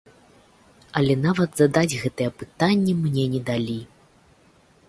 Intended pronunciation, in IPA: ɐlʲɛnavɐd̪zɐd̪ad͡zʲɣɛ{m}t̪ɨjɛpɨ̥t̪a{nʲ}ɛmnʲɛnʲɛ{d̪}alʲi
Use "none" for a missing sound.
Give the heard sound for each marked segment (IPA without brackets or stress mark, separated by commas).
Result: none, nʲː, d̪